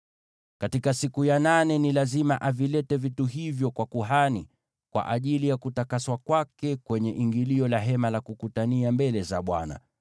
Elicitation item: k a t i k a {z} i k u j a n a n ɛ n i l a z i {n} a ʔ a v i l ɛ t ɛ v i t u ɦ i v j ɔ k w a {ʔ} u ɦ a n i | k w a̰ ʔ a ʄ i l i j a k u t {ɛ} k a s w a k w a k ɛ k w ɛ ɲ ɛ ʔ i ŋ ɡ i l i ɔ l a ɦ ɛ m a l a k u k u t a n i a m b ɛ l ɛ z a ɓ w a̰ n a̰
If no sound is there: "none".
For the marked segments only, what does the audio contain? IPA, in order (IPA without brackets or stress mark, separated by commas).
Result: s, m, k, a